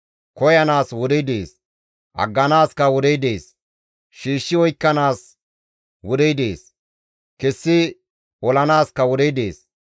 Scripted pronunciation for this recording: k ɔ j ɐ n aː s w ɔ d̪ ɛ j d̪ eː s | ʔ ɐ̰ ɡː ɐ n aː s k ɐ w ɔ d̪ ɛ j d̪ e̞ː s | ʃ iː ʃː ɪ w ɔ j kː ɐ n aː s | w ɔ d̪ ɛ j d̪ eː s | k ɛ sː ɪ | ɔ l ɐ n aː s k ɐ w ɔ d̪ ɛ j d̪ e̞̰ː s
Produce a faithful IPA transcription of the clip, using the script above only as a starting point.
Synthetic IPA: k ɔ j ɐ n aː s w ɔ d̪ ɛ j d̪ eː s | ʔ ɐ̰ ɡː ɐ n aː s k ɐ w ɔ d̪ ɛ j d̪ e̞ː s | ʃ iː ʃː ɪ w ɔ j kː ɐ n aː s | w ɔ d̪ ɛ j d̪ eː s | k ɛ sː ɪ | ɔ l ɐ n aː s k ɐ w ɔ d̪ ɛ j d̪ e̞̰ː s